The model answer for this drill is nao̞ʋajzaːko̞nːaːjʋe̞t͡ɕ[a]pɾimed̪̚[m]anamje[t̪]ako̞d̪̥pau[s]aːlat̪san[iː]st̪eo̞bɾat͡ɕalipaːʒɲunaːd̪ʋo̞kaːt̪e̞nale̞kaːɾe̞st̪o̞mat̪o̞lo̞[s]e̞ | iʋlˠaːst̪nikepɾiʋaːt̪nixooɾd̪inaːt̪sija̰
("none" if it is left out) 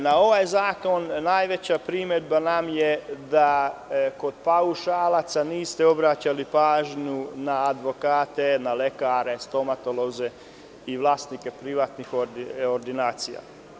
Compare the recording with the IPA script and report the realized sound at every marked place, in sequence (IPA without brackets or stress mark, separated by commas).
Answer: a, b, d̪, ʃ, iː, z